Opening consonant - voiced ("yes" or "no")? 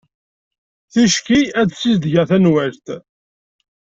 no